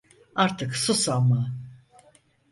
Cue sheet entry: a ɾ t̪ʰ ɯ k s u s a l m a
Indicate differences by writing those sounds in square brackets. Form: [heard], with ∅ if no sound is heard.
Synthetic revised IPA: a ɾ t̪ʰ ɯ k s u s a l m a